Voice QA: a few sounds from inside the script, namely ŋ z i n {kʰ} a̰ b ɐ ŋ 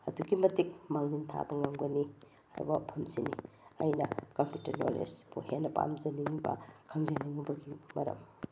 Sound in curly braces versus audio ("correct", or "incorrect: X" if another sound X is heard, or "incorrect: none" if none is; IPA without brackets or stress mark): incorrect: tʰ